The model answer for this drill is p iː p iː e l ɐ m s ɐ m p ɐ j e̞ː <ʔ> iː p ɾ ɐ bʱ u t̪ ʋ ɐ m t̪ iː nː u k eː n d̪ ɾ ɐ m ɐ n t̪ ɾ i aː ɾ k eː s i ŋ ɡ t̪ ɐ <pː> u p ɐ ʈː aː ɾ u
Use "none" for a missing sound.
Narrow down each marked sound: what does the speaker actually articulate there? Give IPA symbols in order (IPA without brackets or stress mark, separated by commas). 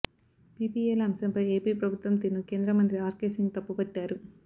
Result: p, pː